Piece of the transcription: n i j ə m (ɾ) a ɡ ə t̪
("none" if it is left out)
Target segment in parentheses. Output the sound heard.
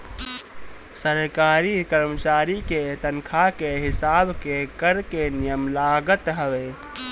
l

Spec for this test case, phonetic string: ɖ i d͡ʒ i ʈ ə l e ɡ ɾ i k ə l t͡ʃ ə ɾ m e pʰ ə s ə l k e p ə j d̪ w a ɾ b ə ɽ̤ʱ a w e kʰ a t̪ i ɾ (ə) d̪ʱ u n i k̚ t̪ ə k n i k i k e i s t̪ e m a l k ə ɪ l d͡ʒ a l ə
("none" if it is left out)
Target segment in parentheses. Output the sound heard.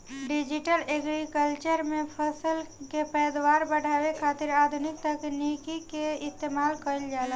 a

